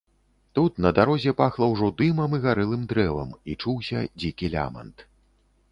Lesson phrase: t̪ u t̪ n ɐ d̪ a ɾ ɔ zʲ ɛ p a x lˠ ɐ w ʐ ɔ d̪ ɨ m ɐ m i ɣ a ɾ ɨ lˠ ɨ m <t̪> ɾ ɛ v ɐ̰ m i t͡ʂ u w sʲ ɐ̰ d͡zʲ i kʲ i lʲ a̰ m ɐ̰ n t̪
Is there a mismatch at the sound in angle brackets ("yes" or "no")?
yes